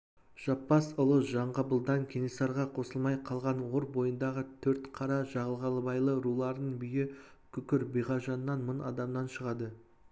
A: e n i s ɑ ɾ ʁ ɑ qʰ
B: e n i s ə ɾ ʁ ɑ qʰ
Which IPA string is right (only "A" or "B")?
A